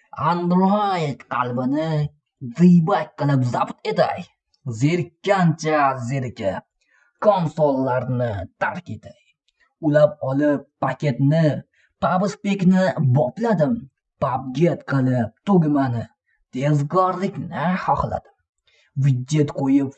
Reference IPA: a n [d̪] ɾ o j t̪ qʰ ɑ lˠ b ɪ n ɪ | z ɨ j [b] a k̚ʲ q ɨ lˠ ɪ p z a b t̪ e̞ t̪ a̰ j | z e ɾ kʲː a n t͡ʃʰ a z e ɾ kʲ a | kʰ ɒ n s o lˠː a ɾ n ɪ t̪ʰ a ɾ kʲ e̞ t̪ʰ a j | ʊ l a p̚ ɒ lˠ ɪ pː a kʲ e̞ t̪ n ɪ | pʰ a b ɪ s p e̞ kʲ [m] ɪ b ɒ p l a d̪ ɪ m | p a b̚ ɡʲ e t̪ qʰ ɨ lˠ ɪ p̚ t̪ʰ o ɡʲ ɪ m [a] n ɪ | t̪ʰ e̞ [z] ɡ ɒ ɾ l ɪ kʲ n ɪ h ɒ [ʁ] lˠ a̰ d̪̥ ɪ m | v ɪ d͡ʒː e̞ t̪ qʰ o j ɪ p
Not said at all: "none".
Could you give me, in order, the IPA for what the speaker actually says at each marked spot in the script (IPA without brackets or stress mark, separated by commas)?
d̪, b, n, a, z, χ